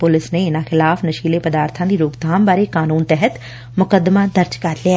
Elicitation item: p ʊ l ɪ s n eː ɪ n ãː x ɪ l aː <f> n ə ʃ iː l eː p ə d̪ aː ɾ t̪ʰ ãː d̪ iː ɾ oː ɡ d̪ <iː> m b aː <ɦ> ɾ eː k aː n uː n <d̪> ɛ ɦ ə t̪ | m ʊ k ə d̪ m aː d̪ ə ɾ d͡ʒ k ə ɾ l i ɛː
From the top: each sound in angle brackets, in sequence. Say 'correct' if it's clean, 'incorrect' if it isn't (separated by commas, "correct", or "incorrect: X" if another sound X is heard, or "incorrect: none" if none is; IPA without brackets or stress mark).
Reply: correct, incorrect: aː, incorrect: none, incorrect: t̪